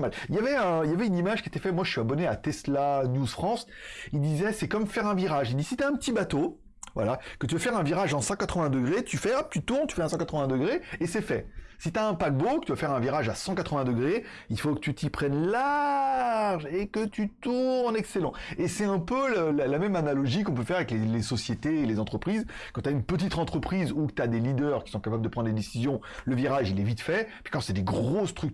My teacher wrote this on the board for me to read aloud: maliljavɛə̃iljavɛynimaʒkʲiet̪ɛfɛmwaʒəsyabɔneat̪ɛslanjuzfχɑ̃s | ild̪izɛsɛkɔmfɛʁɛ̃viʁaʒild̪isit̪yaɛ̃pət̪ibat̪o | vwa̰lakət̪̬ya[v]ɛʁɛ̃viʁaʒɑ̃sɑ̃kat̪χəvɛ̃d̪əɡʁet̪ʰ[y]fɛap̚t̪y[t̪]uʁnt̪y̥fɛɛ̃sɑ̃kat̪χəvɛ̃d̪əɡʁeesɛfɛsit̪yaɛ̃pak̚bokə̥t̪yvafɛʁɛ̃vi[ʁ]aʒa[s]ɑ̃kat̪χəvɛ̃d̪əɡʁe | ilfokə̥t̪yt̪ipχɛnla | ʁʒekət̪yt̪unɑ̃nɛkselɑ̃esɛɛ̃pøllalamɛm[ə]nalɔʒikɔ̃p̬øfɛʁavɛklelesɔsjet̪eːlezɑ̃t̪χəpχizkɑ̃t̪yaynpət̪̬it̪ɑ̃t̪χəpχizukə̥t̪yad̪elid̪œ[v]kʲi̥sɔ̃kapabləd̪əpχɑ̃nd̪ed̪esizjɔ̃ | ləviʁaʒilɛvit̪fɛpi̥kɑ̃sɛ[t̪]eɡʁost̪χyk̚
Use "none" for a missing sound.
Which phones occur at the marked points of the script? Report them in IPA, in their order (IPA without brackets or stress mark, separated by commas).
f, y, t̪, ʁ, s, a, ʁ, d̪